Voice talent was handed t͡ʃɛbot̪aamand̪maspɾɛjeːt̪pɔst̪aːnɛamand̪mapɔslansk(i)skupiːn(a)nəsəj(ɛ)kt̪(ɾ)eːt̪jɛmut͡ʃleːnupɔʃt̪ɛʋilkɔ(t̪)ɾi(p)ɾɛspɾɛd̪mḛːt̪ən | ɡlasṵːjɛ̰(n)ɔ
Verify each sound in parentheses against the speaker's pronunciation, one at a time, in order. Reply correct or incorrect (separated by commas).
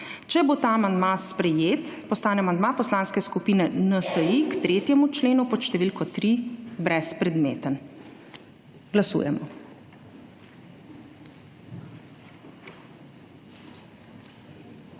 incorrect, incorrect, incorrect, correct, correct, incorrect, incorrect